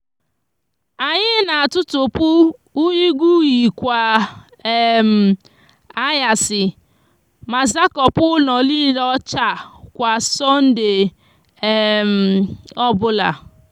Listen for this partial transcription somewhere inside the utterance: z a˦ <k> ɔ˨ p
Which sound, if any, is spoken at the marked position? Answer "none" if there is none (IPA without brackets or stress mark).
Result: k